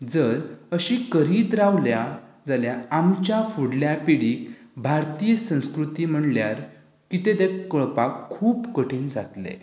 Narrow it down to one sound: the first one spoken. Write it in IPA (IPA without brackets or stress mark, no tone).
d͡z